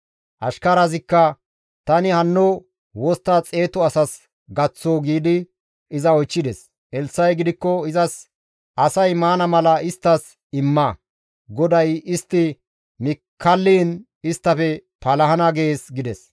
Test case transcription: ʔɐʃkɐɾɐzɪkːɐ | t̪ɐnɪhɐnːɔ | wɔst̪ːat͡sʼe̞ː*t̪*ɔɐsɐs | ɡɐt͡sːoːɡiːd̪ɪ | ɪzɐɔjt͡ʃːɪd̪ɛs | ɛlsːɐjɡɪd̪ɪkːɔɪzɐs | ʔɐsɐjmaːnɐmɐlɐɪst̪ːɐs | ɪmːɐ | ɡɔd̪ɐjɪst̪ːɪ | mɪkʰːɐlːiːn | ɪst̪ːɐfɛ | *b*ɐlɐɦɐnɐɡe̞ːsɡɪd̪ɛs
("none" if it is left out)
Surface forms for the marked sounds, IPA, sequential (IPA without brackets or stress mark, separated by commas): t̪, p